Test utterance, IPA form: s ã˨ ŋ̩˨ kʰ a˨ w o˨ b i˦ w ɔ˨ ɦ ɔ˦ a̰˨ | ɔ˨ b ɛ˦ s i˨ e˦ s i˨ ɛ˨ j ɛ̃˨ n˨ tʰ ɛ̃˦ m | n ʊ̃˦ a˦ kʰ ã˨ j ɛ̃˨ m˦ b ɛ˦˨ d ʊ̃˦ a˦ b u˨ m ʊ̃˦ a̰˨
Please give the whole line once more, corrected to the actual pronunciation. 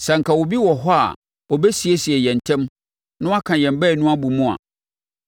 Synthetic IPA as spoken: s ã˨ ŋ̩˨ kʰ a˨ w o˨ b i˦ w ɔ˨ ɦ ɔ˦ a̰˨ | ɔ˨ b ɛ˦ s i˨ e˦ s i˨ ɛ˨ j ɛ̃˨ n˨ tʰ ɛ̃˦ m | n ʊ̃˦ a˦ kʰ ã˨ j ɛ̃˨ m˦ b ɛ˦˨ n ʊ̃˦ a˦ b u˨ m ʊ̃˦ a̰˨